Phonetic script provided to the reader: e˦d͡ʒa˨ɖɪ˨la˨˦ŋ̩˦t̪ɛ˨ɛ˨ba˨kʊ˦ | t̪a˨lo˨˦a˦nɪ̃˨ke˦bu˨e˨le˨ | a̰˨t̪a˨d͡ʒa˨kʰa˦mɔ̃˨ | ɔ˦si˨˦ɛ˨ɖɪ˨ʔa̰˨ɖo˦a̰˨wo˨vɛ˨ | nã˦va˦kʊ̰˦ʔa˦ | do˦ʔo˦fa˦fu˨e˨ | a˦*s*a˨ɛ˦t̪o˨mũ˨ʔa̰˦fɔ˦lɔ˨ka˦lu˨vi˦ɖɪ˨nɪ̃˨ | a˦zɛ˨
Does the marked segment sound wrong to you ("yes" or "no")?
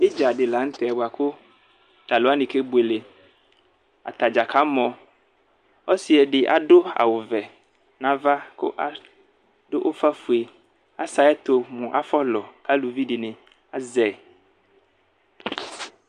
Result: no